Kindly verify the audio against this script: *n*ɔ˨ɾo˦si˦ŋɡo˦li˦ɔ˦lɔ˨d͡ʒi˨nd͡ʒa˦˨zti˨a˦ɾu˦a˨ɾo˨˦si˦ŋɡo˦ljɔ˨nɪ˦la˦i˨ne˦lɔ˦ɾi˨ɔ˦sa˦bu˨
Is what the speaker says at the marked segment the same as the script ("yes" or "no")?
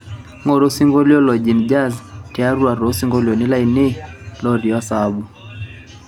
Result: no